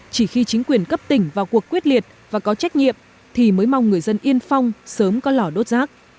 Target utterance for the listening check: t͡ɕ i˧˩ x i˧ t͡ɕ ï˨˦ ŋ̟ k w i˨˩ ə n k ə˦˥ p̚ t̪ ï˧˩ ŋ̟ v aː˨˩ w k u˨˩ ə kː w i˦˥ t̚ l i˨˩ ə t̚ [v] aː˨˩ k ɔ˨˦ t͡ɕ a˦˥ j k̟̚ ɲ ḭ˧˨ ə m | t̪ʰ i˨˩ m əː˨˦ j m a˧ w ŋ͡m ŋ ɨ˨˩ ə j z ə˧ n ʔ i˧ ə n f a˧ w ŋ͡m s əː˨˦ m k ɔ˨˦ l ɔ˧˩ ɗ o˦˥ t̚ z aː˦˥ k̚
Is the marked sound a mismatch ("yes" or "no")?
no